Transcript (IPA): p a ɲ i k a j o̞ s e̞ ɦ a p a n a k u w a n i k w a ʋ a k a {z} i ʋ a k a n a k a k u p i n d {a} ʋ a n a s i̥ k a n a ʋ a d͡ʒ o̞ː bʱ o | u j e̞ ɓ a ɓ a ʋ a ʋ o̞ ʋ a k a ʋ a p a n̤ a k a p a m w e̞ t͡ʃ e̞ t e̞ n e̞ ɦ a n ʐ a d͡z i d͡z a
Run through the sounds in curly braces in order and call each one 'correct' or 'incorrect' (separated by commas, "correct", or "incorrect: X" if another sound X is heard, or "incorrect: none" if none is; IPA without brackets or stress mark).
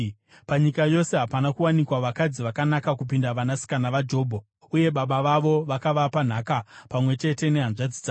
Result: incorrect: d͡z, correct